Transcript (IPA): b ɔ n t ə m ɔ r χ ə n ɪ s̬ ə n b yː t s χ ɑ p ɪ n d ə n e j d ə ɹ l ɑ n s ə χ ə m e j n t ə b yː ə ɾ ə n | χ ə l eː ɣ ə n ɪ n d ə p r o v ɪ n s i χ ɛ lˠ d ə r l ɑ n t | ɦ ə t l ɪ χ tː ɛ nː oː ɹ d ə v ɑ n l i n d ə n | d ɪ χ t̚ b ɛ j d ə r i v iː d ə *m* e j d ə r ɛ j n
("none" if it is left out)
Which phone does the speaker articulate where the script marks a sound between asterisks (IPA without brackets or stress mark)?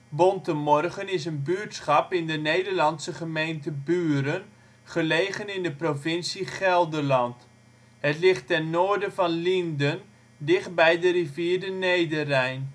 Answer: n